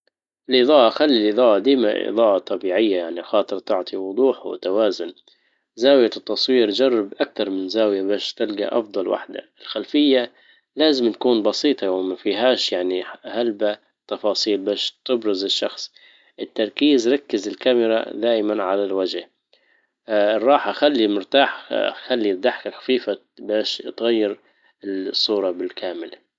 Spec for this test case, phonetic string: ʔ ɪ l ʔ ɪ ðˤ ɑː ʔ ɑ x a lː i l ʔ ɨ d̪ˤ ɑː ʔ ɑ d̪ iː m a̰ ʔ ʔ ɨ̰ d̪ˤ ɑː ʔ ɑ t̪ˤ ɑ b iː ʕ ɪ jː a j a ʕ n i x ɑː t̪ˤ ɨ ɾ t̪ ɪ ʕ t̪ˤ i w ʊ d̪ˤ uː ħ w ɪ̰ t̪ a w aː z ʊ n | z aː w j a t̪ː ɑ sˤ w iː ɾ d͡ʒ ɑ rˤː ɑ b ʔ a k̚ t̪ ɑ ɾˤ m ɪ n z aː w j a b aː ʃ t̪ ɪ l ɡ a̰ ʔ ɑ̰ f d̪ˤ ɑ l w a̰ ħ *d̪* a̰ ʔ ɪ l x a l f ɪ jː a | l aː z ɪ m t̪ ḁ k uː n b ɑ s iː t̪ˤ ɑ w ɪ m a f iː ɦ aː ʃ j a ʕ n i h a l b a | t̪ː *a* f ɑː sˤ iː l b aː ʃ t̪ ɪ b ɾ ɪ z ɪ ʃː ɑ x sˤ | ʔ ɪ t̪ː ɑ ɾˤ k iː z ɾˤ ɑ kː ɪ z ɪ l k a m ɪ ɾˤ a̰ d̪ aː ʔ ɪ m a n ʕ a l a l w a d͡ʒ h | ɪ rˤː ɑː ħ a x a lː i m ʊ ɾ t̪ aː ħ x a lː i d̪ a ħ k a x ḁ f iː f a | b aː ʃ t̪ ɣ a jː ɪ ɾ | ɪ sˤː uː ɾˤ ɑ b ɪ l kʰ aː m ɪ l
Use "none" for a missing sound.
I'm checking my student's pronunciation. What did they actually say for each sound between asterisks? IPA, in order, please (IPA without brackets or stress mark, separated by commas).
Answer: d̪, ɑ